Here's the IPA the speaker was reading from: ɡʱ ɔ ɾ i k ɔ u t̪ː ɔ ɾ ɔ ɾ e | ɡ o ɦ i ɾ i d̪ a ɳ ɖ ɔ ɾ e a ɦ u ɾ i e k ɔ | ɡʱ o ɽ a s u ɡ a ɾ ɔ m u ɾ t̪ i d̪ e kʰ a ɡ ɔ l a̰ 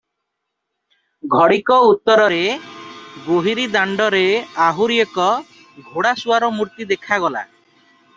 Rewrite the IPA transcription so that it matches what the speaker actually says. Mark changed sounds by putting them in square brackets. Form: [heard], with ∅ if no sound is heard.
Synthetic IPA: ɡʱ ɔ [ɽ] i k ɔ u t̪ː ɔ ɾ ɔ ɾ e | ɡ o ɦ i ɾ i d̪ a ɳ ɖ ɔ ɾ e a ɦ u ɾ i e k ɔ | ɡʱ o ɽ a s u [∅] a ɾ ɔ m u ɾ t̪ i d̪ e kʰ a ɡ ɔ l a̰